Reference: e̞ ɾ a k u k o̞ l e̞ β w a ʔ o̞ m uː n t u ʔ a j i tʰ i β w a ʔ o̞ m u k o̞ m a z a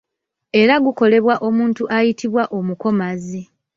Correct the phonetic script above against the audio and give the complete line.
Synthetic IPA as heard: e̞ ɾ a ɡ u k o̞ l e̞ β w a ʔ o̞ m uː n t u ʔ a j i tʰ i β w a ʔ o̞ m u k o̞ m a z i

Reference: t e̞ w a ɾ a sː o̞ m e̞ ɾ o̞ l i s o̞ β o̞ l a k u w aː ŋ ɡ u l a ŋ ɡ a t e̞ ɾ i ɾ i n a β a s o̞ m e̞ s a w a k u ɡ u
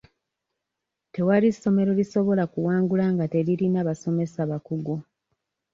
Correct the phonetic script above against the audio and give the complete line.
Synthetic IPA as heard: t e̞ w a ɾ i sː o̞ m e̞ ɾ o̞ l i s o̞ β o̞ l a k u w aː ŋ ɡ u l a ŋ ɡ a t e̞ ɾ i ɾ i n a β a s o̞ m e̞ s a β a k u ɡ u

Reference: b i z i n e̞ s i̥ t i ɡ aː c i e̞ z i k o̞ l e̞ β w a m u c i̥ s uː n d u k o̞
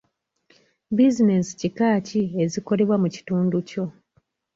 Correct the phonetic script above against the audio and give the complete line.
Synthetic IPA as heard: b i z i n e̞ s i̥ c i k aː c i e̞ z i k o̞ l e̞ β w a m u c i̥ t uː n d u c o̞

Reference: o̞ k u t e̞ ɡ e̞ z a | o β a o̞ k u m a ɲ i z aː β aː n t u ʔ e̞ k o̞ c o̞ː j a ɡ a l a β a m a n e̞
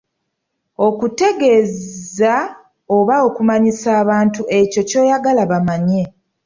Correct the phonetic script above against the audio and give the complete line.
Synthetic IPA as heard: o̞ k u t e̞ ɡ e̞ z a | o β a o̞ k u m a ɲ i s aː β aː n t u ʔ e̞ c o̞ c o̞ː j a ɡ a l a β a m a ɲ e̞

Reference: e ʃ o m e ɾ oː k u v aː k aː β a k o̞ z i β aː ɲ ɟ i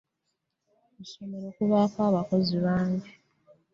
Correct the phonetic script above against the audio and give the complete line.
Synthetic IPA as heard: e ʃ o m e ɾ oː k u β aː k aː β a k o̞ z i β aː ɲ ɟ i

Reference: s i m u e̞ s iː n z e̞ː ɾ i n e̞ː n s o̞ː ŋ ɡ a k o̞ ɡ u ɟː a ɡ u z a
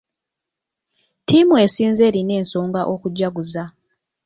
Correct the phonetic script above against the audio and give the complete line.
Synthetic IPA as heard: t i m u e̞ s iː n z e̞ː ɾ i n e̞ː n s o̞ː ŋ ɡ a ʔ o̞ k u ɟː a ɡ u z a

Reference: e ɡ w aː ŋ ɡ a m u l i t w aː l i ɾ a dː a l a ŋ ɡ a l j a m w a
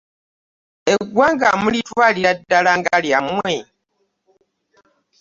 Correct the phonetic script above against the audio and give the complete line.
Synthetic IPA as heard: e ɡ w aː ŋ ɡ a m u l i t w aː l i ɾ a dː a l a ŋ ɡ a l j a m w e

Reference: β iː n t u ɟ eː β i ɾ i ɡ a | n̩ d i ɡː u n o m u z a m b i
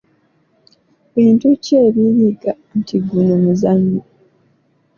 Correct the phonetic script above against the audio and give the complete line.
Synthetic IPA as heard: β iː n t u c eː β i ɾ i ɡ a | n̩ t i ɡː u n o m u z a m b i

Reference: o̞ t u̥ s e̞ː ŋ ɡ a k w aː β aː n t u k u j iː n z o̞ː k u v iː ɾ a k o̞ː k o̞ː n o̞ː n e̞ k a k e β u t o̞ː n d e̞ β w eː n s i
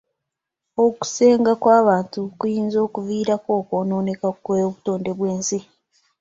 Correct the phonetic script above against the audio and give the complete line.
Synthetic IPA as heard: o̞ k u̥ s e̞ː ŋ ɡ a k w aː β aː n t u k u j iː n z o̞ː k u v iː ɾ a k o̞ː k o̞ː n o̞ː n e̞ k a k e β u t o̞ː n d e̞ β w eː n s i

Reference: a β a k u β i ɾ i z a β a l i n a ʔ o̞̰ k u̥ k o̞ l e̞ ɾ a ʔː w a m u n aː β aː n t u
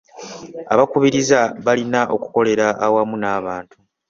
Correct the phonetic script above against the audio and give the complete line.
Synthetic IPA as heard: a β a k u β i ɾ i z a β a l i n a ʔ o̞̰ k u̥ k o̞ l e̞ ɾ a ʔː w a m u n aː β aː n t u

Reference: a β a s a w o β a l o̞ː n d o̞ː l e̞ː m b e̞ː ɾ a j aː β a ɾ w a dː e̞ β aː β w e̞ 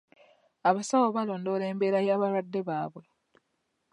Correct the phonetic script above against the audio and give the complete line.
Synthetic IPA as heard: a β a s a w o β a l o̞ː n d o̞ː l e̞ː m b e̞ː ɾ a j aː β a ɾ w a dː e̞ β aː β w e̞

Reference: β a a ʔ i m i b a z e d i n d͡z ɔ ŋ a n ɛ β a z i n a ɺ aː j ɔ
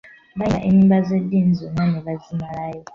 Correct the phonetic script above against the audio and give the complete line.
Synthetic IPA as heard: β a a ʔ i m i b a z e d i n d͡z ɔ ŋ a n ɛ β a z i m a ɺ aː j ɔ

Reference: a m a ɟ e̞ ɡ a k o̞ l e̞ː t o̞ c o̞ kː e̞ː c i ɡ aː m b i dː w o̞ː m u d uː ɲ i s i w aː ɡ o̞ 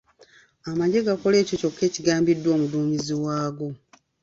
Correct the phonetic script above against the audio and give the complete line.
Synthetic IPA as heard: a m a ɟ e̞ ɡ a k o̞ l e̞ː c o̞ c o̞ kː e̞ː c i ɡ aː m b i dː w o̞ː m u d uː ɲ i z i w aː ɡ o̞

